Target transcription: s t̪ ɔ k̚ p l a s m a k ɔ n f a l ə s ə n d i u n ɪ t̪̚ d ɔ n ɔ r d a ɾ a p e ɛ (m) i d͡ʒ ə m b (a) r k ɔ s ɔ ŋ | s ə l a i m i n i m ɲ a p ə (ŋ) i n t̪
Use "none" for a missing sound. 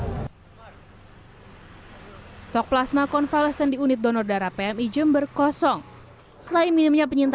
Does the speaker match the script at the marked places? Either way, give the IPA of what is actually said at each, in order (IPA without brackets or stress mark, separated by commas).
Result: m, ə, ɲ